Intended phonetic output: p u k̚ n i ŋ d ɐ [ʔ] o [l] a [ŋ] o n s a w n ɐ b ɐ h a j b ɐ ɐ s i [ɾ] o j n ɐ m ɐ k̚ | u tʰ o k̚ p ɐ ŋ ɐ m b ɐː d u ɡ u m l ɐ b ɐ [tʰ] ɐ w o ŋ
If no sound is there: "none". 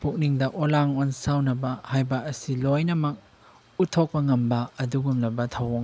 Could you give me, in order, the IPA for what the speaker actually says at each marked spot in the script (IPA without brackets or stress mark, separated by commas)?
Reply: ʔ, l, ŋ, l, tʰ